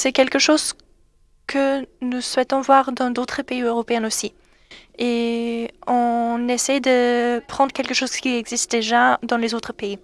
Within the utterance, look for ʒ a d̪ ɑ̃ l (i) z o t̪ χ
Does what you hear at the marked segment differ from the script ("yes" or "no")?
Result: yes